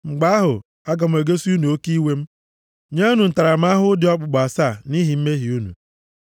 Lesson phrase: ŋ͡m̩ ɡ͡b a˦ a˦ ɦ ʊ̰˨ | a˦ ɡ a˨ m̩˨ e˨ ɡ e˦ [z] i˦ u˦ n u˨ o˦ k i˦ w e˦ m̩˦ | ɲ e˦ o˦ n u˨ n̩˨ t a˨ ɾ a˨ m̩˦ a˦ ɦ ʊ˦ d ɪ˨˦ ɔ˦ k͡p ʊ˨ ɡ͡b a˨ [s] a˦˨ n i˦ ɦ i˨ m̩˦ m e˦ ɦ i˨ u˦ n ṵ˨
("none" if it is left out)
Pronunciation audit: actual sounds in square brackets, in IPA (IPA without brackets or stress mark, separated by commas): s, s